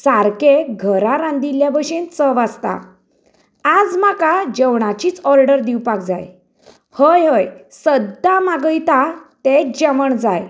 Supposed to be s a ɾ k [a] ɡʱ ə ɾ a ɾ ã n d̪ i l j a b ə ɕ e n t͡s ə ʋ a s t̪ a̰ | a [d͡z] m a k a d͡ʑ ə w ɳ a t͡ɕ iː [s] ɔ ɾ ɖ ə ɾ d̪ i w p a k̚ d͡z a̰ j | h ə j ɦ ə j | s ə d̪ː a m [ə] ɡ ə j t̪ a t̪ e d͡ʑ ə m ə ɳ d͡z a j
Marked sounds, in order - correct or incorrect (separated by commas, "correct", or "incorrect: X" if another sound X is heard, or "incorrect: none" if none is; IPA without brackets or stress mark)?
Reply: incorrect: e, correct, incorrect: t͡s, incorrect: a